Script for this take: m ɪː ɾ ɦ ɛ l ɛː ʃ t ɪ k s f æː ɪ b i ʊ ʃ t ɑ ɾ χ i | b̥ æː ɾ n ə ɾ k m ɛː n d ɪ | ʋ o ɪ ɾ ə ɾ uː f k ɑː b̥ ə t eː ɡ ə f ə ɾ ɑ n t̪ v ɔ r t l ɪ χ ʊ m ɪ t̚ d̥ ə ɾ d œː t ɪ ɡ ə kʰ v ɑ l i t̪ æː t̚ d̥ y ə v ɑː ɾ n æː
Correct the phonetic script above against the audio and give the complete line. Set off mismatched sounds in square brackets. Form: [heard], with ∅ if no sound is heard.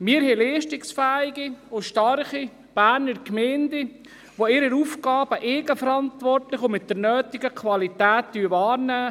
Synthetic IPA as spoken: m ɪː ɾ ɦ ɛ l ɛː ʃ t ɪ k s f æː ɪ [ɡ] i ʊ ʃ t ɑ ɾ χ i | b̥ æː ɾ n ə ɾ k m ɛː n d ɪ | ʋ o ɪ ɾ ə ɾ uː f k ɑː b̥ ə [ʔ] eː ɡ ə f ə ɾ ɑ n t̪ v ɔ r t l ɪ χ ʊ m ɪ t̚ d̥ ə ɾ [n] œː t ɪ ɡ ə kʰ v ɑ l i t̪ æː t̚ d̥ y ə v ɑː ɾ n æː